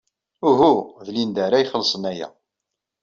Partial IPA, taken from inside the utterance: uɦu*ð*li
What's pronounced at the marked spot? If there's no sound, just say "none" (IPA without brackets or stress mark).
ð